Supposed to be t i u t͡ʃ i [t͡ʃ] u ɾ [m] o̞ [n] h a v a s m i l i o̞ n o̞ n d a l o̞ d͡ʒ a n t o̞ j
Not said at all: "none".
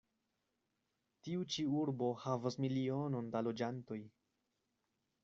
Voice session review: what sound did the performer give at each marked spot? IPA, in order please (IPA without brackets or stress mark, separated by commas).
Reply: none, b, none